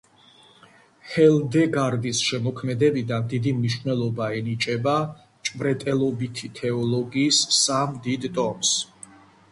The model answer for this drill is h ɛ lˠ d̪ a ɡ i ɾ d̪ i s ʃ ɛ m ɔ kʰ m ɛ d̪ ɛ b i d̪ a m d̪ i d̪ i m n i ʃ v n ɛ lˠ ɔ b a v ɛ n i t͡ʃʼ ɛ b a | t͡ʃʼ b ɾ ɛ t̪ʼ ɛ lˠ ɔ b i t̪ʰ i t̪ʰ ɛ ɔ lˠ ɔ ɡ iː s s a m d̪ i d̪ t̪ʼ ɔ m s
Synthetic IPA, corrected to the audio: h ɛ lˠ d̪ ɛ ɡ a ɾ d̪ i s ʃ ɛ m ɔ kʰ m ɛ d̪ ɛ b i d̪ a n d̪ i d̪ i m n i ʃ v n ɛ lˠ ɔ b a ɛ n i t͡ʃʼ ɛ b a | t͡ʃʼ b ɾ ɛ t̪ʼ ɛ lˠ ɔ b i t̪ʰ i t̪ʰ ɛ ɔ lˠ ɔ ɡ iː s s a m d̪ i d̪ t̪ʼ ɔ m s